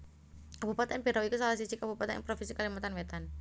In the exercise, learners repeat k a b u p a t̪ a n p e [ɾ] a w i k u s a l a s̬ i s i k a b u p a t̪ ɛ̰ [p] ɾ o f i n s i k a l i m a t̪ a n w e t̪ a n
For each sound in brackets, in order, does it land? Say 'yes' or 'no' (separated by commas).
yes, yes